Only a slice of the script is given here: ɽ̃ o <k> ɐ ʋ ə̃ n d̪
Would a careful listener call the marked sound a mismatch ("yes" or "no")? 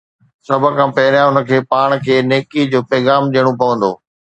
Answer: yes